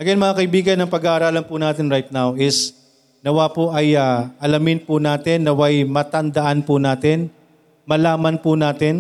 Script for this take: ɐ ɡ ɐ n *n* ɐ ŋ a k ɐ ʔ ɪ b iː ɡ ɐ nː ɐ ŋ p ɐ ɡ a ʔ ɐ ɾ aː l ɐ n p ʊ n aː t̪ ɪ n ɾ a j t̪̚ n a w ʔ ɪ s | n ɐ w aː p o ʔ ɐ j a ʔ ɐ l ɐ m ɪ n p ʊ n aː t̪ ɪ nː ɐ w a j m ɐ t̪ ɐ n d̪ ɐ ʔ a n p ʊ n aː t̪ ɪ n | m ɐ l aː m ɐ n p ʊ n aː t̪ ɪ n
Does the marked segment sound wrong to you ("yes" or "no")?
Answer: yes